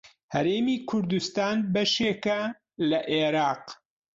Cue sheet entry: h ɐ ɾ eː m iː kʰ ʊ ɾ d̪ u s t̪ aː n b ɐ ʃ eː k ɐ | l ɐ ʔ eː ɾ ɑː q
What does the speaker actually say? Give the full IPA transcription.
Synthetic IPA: h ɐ ɾ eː m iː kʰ ʊ ɾ d̪ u s t̪ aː n b ɐ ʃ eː k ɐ | l ɐ ʔ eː ɾ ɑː q